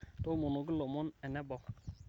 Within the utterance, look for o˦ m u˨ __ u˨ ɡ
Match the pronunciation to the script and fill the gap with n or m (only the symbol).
n